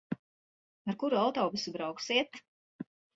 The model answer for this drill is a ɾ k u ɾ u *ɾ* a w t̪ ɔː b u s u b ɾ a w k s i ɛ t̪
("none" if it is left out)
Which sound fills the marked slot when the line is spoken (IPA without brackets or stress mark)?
none